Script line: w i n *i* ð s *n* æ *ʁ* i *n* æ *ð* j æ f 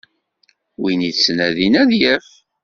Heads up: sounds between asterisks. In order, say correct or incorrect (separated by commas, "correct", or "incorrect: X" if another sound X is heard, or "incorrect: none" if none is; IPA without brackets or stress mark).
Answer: correct, correct, incorrect: ð, correct, correct